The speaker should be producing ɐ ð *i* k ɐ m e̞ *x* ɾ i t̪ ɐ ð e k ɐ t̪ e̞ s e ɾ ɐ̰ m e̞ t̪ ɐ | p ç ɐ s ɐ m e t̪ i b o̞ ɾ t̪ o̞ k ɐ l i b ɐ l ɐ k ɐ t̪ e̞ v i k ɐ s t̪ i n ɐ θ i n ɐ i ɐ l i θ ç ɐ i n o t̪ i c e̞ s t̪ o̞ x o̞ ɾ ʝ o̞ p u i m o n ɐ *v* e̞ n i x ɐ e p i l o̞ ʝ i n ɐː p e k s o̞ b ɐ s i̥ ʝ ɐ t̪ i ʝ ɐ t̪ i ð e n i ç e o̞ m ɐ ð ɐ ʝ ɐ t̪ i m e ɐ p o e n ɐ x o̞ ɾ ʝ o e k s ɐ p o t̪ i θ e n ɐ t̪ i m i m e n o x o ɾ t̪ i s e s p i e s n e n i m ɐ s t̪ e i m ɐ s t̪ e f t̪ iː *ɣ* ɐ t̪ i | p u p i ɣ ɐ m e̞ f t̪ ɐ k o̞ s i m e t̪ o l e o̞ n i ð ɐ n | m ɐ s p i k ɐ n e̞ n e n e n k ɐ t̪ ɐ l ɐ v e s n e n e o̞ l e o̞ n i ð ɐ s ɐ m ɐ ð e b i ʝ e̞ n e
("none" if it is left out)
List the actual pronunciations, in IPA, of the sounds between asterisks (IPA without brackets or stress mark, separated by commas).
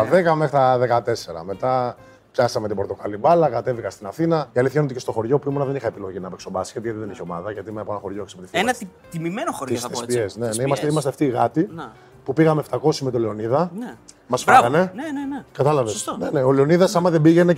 e, x, ð, ɣ